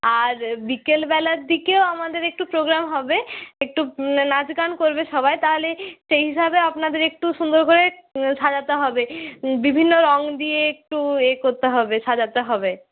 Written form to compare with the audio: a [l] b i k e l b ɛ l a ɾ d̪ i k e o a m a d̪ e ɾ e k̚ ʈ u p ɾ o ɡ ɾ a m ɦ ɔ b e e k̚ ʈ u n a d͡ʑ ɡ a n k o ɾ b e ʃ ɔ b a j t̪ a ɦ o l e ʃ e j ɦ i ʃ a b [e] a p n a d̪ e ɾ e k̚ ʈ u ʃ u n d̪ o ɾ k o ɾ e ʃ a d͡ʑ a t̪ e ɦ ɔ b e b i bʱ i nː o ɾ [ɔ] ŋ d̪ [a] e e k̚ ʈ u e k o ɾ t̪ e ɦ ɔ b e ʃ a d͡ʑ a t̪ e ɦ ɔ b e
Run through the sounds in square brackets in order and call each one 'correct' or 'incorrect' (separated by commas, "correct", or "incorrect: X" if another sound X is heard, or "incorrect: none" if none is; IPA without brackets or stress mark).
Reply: incorrect: ɾ, correct, correct, incorrect: i